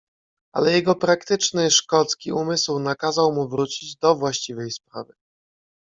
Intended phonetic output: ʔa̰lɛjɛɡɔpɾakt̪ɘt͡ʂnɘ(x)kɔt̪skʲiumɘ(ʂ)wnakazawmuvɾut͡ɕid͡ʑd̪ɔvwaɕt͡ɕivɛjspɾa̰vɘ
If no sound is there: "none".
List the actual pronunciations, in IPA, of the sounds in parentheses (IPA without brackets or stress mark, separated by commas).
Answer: ʂ, s